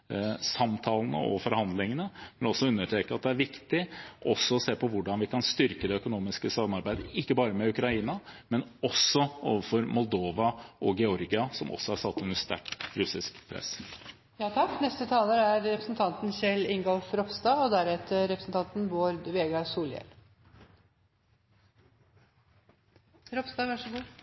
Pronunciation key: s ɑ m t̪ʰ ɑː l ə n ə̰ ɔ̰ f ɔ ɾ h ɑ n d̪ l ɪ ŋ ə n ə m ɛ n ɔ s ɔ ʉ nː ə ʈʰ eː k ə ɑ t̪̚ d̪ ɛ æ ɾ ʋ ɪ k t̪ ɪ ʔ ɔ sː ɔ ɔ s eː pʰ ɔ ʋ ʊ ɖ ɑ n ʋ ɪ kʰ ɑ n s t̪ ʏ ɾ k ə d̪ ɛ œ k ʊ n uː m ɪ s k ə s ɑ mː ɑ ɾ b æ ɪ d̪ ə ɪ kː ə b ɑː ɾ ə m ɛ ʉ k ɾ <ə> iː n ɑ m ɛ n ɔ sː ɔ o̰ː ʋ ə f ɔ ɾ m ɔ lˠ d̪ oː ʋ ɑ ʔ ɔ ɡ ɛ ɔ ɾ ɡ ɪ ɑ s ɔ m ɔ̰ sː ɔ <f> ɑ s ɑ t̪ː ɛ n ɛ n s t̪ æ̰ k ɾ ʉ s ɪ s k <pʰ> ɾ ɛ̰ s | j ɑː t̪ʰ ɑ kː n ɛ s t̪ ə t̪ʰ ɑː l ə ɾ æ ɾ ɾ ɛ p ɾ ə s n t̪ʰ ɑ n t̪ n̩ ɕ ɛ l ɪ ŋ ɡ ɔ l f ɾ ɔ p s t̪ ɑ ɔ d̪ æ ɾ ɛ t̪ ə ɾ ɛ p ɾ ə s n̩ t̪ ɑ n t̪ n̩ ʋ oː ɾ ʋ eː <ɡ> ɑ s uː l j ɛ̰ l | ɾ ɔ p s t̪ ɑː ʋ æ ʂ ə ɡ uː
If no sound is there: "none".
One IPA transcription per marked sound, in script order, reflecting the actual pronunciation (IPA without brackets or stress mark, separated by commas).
ɑ, h, pʰ, ɡ